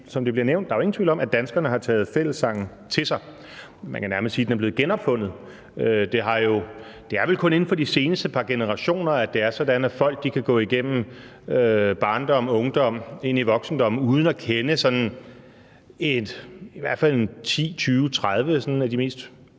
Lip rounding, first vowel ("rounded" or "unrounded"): rounded